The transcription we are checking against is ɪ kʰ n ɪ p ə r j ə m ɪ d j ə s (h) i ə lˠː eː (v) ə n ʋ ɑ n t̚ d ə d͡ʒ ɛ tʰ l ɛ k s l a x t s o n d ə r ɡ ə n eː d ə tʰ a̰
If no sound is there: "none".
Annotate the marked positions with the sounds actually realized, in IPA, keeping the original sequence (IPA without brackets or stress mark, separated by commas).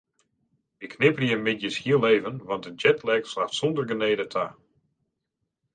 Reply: h, v